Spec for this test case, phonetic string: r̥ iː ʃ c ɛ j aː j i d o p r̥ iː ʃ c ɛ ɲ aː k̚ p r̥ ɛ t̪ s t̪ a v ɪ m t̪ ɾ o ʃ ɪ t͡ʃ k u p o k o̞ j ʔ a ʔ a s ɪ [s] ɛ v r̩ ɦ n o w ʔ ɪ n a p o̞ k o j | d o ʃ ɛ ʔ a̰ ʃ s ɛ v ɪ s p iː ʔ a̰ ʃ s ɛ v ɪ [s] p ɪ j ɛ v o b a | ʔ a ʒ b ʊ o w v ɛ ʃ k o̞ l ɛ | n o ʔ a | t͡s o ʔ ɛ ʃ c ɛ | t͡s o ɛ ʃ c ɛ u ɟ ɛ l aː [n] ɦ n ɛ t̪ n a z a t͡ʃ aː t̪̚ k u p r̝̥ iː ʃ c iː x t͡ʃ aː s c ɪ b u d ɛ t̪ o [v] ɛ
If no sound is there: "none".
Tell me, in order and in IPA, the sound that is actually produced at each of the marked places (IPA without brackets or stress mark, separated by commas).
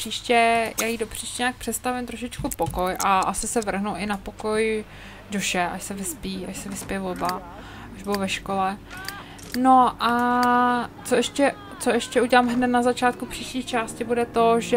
s, s, m, ʒ